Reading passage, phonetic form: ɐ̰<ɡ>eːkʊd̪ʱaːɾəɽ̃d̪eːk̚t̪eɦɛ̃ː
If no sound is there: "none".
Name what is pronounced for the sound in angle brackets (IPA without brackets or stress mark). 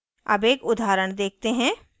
b